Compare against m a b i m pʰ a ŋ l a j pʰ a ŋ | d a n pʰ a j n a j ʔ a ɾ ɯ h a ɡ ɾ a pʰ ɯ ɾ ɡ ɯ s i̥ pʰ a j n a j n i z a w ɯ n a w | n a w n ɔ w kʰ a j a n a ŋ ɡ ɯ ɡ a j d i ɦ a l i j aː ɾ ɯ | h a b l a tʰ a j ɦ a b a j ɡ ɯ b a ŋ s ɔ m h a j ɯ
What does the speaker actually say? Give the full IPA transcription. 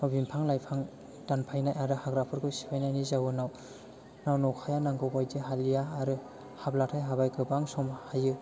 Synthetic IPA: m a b i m pʰ a ŋ l a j pʰ a ŋ | d a n pʰ a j n a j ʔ a ɾ ɯ h a ɡ ɾ a pʰ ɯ ɾ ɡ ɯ s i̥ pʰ a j n a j n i z a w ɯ n a w | n a w n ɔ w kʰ a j a n a ŋ ɡ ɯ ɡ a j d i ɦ a l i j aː ɾ ɯ | h a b l a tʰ a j ɦ a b a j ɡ ɯ b a ŋ s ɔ m h a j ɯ